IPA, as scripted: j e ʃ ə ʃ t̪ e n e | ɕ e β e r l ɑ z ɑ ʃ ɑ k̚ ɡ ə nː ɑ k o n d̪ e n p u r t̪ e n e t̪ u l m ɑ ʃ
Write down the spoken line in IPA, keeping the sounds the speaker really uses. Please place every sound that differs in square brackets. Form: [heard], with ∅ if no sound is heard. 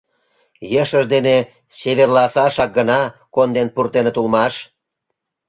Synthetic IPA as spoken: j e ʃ ə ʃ [d̪] e n e | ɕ e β e r l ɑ [s] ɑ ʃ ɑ k̚ ɡ ə [n] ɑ k o n d̪ e n p u r t̪ e n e t̪ u l m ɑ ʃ